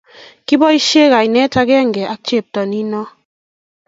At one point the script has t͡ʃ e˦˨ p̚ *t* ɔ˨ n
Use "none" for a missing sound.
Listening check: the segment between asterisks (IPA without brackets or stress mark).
t